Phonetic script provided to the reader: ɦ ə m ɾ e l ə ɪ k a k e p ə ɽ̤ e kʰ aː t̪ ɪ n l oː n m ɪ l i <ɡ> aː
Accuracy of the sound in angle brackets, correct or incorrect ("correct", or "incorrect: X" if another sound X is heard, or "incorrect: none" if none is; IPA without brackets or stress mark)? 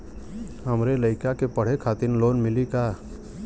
incorrect: k